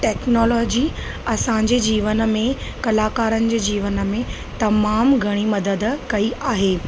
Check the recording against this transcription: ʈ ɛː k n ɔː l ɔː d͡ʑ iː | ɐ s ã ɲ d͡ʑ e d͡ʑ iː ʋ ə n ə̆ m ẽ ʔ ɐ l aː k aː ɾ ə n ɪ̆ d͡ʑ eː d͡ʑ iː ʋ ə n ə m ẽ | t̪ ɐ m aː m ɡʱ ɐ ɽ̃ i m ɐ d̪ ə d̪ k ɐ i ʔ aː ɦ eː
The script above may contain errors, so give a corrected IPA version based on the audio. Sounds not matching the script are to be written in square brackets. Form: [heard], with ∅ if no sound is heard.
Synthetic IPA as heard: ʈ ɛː k n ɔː l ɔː d͡ʑ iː | ɐ s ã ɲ d͡ʑ e d͡ʑ iː ʋ ə n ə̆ m ẽ [k] ɐ l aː k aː ɾ ə n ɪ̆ d͡ʑ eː d͡ʑ iː ʋ ə n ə m ẽ | t̪ ɐ m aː m ɡʱ ɐ ɽ̃ i m ɐ d̪ ə d̪ k ɐ i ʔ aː ɦ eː